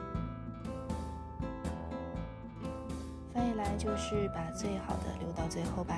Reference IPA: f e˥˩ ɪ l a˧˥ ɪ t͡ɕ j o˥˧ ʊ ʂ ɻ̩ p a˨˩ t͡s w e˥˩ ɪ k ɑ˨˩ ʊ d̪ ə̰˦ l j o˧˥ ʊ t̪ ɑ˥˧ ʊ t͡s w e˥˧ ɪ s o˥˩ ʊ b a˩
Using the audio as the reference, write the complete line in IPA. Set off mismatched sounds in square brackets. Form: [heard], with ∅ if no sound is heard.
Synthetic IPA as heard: f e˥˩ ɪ l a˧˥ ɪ t͡ɕ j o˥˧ ʊ ʂ ɻ̩ p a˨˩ t͡s w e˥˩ ɪ [x] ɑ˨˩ ʊ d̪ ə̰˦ l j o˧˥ ʊ t̪ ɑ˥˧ ʊ t͡s w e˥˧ ɪ [x] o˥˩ ʊ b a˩

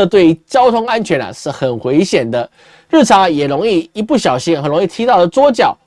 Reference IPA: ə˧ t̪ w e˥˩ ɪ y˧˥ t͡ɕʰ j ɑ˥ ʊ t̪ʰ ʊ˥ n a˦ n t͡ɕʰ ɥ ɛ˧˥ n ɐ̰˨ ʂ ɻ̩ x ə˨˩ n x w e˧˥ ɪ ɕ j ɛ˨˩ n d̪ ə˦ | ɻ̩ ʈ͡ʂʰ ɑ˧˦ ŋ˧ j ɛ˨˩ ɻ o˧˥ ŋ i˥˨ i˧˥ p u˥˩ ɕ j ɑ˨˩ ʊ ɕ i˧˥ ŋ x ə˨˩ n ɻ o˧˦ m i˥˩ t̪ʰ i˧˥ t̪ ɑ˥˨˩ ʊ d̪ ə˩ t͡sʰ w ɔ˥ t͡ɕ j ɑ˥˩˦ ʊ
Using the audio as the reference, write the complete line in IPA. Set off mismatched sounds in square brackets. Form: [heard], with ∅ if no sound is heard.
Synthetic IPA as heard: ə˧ t̪ w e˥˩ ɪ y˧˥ [t͡ɕ] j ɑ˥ ʊ t̪ʰ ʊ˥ [ŋ] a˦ n t͡ɕʰ ɥ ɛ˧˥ n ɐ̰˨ ʂ ɻ̩ x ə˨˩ n x w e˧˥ ɪ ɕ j ɛ˨˩ n d̪ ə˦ | ɻ̩ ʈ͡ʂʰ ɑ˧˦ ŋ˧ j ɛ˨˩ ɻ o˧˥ ŋ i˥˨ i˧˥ p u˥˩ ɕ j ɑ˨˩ ʊ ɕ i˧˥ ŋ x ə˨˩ n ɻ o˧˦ [ŋ] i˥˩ t̪ʰ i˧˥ t̪ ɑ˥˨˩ ʊ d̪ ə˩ [t͡s] w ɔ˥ t͡ɕ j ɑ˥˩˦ ʊ

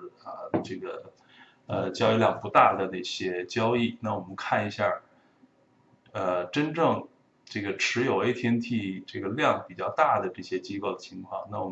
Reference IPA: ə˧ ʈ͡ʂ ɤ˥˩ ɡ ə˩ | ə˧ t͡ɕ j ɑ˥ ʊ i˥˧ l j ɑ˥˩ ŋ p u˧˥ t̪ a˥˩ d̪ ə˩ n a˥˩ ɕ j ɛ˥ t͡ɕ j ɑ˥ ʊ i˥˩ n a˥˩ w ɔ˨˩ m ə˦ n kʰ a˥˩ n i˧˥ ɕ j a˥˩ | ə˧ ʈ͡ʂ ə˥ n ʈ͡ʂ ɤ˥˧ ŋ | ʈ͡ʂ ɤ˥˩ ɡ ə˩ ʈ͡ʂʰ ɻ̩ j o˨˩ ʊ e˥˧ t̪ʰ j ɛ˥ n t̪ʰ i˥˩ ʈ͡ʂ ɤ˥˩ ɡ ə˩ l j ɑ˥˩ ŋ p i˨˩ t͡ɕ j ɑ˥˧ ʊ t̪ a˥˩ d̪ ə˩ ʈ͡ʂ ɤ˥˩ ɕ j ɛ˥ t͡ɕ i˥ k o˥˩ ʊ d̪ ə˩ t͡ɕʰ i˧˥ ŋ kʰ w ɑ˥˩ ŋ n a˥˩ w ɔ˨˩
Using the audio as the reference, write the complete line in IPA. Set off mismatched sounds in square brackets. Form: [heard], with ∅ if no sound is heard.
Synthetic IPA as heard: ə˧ ʈ͡ʂ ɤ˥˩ ɡ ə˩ | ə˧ t͡ɕ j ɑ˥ ʊ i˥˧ l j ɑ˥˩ ŋ p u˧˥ t̪ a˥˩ d̪ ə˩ n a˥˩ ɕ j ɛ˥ t͡ɕ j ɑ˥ ʊ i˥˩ n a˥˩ w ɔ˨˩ m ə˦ n kʰ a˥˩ n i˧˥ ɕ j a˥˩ | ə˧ ʈ͡ʂ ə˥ n ʈ͡ʂ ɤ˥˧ ŋ | ʈ͡ʂ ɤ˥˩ ɡ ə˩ ʈ͡ʂʰ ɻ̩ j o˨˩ ʊ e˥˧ t̪ʰ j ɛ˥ n t̪ʰ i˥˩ ʈ͡ʂ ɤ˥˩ ɡ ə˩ l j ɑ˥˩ ŋ p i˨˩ t͡ɕ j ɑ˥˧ ʊ t̪ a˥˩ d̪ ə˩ ʈ͡ʂ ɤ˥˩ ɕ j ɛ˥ t͡ɕ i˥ k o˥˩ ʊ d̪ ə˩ t͡ɕʰ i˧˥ ŋ kʰ w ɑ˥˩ ŋ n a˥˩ w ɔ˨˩

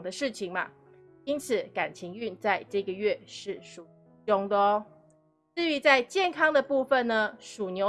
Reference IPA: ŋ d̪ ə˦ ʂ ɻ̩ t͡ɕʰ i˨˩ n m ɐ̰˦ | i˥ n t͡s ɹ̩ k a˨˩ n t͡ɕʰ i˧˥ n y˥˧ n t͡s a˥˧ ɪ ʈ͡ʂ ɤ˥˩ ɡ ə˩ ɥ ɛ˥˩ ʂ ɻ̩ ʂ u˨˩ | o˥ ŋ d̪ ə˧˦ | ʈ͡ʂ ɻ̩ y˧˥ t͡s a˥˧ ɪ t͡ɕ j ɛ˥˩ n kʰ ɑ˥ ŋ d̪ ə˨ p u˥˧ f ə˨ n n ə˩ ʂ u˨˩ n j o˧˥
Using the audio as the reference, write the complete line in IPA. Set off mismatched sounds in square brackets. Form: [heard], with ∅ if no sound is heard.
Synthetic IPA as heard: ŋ d̪ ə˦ ʂ ɻ̩ t͡ɕʰ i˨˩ [ŋ] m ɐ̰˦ | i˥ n [t͡sʰ] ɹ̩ k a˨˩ n t͡ɕʰ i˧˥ [ŋ] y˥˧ n t͡s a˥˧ ɪ ʈ͡ʂ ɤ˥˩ ɡ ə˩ ɥ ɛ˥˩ ʂ ɻ̩ ʂ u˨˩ | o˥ ŋ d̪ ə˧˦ | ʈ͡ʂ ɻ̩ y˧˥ t͡s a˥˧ ɪ t͡ɕ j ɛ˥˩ n kʰ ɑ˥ ŋ d̪ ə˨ p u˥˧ f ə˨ n n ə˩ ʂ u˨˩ n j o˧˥

